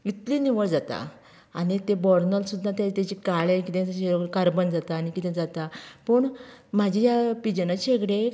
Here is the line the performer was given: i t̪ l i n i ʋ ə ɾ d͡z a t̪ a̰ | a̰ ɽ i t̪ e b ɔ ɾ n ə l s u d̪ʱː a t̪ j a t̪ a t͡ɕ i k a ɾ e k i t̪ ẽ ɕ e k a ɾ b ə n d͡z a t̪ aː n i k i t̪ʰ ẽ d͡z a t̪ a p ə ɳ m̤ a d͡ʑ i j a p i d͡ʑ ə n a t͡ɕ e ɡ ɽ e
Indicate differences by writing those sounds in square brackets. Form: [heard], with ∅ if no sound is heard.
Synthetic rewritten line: i t̪ l i n i ʋ ə [ɭ] d͡z a t̪ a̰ | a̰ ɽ i t̪ e b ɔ ɾ n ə l s u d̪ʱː a t̪ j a t̪ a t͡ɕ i k a [ɭ] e k i t̪ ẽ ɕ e k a ɾ b ə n d͡z a t̪ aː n i k i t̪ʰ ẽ d͡z a t̪ a p ə ɳ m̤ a d͡ʑ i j a p i d͡ʑ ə n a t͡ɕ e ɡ ɽ e